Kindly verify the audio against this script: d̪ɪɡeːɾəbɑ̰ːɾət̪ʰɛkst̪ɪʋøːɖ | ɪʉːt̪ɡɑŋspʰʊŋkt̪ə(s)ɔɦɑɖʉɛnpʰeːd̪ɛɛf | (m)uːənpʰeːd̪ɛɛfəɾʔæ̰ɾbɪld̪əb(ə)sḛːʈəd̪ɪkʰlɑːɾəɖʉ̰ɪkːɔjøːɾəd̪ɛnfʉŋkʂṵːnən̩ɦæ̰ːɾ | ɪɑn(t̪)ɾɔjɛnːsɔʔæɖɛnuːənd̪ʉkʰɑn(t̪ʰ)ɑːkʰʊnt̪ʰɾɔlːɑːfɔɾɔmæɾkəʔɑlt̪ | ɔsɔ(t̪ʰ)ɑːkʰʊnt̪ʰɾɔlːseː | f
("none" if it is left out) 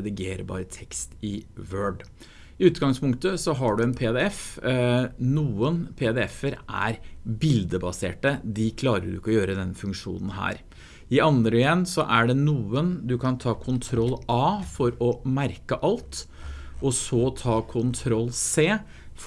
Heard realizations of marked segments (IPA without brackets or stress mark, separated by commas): s, n, ɑ, d̪, t̪ʰ, t̪ʰ